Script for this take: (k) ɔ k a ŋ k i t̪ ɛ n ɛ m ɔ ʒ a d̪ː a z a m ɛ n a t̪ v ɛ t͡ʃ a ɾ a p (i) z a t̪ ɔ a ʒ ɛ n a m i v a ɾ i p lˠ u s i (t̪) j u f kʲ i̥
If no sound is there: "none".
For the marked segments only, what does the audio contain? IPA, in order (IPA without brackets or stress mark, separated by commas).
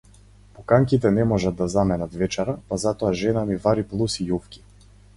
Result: p, a, none